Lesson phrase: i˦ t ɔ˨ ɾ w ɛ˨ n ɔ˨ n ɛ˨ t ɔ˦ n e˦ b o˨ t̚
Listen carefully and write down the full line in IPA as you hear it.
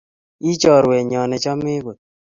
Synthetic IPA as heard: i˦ t͡ʃ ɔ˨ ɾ w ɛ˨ ɲ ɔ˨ n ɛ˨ t͡ʃ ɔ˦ m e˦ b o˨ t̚